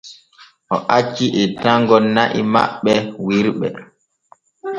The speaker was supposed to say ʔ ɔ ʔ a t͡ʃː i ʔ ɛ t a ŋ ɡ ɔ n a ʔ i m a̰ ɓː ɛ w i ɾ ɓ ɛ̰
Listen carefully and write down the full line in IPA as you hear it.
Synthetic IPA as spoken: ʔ ɔ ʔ a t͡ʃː i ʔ ɛ t a ŋ ɡ ɔ n a ʔ i m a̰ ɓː ɛ w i ɾ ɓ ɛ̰